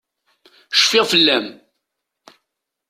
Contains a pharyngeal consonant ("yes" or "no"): no